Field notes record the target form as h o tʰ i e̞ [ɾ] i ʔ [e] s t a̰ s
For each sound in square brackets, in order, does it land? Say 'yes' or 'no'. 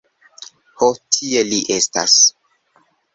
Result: no, yes

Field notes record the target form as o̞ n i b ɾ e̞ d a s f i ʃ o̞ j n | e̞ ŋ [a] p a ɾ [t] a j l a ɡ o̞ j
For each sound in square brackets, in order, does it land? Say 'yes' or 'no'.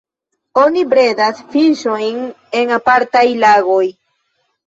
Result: yes, yes

